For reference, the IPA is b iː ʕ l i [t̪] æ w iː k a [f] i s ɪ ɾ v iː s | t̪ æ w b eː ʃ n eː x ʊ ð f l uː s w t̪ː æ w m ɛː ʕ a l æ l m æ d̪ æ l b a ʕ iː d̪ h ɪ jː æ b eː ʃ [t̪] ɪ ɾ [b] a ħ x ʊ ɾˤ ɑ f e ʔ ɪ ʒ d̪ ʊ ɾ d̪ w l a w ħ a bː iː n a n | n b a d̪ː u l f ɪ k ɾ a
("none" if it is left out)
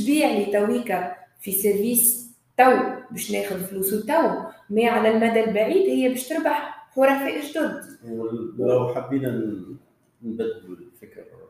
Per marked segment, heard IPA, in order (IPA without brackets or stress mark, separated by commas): t̪, f, t̪, b